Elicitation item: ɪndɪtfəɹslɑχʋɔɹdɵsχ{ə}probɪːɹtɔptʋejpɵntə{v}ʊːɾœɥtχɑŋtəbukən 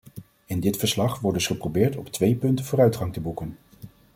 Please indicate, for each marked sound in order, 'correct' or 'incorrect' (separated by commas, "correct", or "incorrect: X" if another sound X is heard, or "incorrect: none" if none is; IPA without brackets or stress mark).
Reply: correct, correct